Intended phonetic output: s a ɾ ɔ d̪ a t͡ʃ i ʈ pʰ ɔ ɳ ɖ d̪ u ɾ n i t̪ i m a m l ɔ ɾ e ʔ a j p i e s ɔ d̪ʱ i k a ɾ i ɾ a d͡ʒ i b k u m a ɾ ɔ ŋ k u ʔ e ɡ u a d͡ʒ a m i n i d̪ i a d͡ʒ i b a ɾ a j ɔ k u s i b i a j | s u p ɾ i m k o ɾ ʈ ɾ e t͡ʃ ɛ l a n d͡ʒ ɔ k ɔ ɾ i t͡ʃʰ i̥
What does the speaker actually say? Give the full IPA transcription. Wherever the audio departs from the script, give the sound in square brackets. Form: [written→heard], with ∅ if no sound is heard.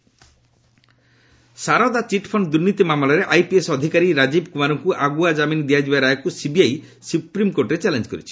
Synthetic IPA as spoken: s a ɾ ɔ d̪ a t͡ʃ i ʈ pʰ ɔ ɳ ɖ d̪ u ɾ n i t̪ i m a m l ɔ ɾ e ʔ a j p i e s ɔ d̪ʱ i k a ɾ i ɾ a d͡ʒ i b k u m a ɾ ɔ ŋ k u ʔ [e→a] ɡ u a d͡ʒ a m i n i d̪ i a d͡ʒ i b a ɾ a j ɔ k u s i b i a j | s u p ɾ i m k o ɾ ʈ ɾ e t͡ʃ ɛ l [a→e] n d͡ʒ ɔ k ɔ ɾ i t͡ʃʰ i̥

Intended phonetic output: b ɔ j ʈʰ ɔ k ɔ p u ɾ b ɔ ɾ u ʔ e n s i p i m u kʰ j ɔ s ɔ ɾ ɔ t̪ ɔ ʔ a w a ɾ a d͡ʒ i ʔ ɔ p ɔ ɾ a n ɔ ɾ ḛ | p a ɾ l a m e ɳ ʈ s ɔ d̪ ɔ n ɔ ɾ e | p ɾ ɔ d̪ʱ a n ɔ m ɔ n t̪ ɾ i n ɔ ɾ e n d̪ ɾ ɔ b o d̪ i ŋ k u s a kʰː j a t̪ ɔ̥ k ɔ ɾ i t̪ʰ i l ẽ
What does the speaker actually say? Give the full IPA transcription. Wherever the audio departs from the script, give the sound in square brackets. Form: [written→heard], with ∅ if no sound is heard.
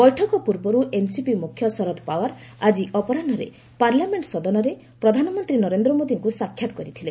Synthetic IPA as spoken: b ɔ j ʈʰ ɔ k ɔ p u ɾ b ɔ ɾ u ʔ e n s i p i m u kʰ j ɔ s ɔ ɾ ɔ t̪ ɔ [ʔ→p] a w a ɾ a d͡ʒ i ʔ ɔ p ɔ ɾ a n ɔ ɾ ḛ | p a ɾ l a m e ɳ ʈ s ɔ d̪ ɔ n ɔ ɾ e | p ɾ ɔ d̪ʱ a n ɔ m ɔ n t̪ ɾ i n ɔ ɾ e n d̪ ɾ ɔ [b→m] o d̪ i ŋ k u s a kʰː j a t̪ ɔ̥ k ɔ ɾ i t̪ʰ i l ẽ

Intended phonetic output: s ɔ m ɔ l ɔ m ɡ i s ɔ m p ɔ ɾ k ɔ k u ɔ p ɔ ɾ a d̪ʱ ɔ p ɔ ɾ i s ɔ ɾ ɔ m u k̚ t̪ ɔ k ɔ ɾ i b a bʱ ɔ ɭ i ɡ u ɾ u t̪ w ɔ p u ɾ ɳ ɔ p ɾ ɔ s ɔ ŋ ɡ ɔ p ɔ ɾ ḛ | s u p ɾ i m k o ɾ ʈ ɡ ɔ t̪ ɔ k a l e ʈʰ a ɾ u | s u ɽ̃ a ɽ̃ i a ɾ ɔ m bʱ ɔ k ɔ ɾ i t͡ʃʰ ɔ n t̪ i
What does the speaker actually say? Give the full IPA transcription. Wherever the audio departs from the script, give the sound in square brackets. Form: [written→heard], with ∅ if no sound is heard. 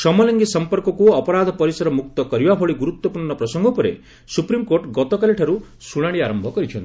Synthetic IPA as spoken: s ɔ m ɔ l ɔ [m→ŋ] ɡ i s ɔ m p ɔ ɾ k ɔ k u ɔ p ɔ ɾ a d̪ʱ ɔ p ɔ ɾ i s ɔ ɾ ɔ m u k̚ t̪ ɔ k ɔ ɾ i b a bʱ ɔ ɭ i ɡ u ɾ u t̪ w ɔ p u ɾ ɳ ɔ p ɾ ɔ s ɔ ŋ ɡ ɔ p ɔ ɾ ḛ | s u p ɾ i m k o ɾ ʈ ɡ ɔ t̪ ɔ k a l e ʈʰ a ɾ u | s u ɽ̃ a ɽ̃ i a ɾ ɔ m bʱ ɔ k ɔ ɾ i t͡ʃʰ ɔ n t̪ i

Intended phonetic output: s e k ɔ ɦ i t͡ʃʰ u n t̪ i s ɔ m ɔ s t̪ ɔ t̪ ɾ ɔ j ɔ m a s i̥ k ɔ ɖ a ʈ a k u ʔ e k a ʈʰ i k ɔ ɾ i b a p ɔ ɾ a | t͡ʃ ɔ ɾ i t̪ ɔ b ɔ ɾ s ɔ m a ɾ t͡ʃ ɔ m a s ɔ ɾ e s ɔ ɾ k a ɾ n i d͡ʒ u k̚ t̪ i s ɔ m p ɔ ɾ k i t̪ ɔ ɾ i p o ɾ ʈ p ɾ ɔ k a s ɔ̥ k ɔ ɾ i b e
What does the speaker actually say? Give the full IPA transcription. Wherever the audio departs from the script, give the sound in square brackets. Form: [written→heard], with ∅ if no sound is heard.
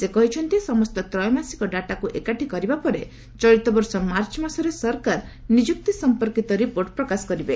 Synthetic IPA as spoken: s e k ɔ ɦ i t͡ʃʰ [u→ɔ] n t̪ i s ɔ m ɔ s t̪ ɔ t̪ ɾ ɔ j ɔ m a s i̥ k ɔ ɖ a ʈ a k u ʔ e k a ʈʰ i k ɔ ɾ i b a p ɔ ɾ [a→e] | t͡ʃ ɔ ɾ i t̪ ɔ b ɔ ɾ s ɔ m a ɾ t͡ʃ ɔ m a s ɔ ɾ e s ɔ ɾ k a ɾ n i d͡ʒ u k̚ t̪ i s ɔ m p ɔ ɾ k i t̪ ɔ ɾ i p o ɾ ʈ p ɾ ɔ k a s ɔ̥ k ɔ ɾ i b e

